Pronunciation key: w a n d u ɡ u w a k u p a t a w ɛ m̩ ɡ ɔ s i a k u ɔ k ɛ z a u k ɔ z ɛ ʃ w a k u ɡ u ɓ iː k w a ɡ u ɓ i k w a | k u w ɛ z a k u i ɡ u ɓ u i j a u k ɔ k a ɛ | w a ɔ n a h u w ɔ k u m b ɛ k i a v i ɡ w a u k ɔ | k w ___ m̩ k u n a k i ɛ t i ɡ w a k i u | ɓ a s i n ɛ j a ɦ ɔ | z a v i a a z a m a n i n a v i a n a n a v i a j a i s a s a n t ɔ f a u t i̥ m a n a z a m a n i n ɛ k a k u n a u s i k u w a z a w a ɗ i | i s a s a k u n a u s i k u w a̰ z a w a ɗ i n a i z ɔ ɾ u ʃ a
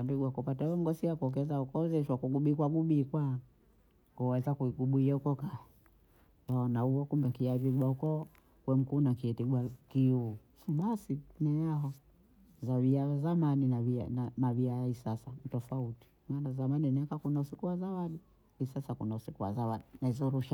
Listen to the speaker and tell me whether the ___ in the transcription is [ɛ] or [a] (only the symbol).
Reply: ɛ